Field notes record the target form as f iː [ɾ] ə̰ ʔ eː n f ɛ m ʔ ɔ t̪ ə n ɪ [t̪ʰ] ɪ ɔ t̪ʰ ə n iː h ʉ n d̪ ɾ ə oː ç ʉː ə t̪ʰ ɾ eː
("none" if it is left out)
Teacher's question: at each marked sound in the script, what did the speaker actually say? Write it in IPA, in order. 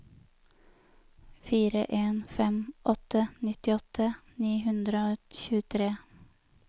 ɾ, t̪

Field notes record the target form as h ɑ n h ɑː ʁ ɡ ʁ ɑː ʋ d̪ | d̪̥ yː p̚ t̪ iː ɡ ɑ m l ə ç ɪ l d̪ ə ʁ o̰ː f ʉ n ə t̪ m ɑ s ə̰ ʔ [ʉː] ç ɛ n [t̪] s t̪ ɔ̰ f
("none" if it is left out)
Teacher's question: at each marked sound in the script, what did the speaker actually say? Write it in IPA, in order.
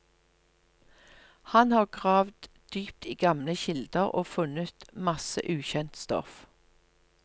ʉː, t̪

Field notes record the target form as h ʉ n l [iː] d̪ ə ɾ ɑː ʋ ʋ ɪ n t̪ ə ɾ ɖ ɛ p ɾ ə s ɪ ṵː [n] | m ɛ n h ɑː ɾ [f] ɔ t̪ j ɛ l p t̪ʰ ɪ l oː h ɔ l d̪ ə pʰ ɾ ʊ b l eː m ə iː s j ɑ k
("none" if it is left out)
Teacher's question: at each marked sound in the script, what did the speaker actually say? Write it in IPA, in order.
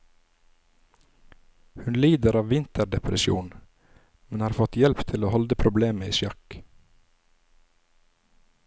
iː, n, f

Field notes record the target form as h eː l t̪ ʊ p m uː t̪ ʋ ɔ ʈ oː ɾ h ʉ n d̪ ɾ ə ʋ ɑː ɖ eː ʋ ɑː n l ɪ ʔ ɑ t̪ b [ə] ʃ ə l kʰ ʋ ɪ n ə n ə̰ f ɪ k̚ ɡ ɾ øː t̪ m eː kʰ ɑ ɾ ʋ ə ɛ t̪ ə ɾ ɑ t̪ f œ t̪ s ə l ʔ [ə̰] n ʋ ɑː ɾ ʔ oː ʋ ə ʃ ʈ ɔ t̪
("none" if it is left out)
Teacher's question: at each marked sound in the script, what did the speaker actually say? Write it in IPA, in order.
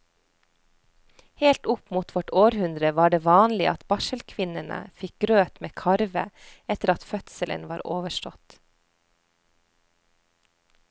ɑ, ə̰

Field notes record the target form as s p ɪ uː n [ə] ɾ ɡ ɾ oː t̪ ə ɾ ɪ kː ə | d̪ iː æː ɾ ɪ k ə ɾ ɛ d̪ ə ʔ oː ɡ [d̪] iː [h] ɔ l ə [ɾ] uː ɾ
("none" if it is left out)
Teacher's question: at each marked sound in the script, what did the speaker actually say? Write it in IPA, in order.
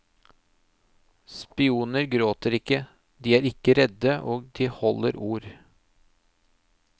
ə, d̪, h, ɾ

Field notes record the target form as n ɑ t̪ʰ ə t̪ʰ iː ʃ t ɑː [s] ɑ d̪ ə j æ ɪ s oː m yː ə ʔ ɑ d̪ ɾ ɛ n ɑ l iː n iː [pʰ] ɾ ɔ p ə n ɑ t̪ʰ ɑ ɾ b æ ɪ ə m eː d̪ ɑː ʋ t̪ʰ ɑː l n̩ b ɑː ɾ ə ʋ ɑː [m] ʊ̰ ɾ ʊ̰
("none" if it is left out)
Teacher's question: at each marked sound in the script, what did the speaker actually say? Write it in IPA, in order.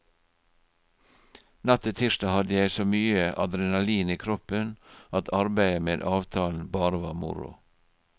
h, kʰ, m

